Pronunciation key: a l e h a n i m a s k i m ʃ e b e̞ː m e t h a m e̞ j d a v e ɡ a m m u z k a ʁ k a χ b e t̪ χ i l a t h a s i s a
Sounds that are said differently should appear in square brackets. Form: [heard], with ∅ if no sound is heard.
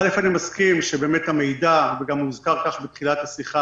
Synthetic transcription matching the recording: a l e [f] a n i m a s k i m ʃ e b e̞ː m e t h a m e̞ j d a v e ɡ a m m u z k a ʁ k a χ b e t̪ χ i l a t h a s i [χ] a